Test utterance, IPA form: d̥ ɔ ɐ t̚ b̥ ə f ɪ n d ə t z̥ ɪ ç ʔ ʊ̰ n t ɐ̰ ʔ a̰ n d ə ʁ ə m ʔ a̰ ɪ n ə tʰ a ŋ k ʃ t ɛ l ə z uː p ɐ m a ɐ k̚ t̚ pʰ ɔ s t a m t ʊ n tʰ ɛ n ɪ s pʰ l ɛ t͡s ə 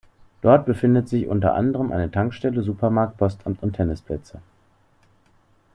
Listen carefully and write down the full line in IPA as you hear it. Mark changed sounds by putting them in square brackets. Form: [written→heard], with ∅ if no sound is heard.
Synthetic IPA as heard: d̥ ɔ ɐ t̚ b̥ ə f ɪ n d ə t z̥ ɪ ç ʔ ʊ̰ n t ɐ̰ ʔ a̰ n d ə ʁ ə m ʔ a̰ ɪ n ə tʰ a ŋ k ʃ t ɛ l ə z uː p ɐ m a ɐ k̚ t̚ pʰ ɔ s t a m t ʊ n tʰ ɛ n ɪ s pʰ l ɛ t͡s ə